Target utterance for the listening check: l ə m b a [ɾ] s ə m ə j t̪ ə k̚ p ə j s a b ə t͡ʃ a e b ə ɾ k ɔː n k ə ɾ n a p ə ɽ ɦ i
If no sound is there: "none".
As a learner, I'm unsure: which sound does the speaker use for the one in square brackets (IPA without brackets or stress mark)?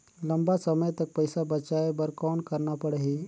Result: none